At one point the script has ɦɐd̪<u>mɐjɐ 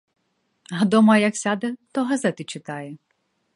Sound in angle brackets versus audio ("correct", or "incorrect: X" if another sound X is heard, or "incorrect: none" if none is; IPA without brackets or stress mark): incorrect: ɔ